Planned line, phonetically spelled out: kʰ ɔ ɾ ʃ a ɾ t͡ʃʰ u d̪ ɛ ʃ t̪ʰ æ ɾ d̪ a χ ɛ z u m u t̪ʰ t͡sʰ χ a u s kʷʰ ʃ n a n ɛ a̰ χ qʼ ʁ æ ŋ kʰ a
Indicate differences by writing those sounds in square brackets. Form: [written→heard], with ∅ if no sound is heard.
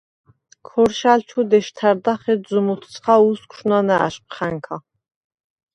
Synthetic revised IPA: kʰ ɔ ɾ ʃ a [ɾ→l] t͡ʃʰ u d̪ ɛ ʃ t̪ʰ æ ɾ d̪ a χ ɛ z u m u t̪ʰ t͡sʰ χ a u s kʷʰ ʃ n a n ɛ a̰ [χ→ʃ] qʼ [ʁ→χ] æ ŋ kʰ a